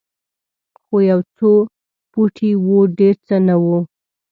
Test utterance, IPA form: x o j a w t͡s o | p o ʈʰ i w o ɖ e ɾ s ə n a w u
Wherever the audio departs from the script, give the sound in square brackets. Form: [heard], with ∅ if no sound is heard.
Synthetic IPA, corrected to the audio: x o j a w t͡s o | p [u] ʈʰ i w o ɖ e ɾ [t͡s] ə n a w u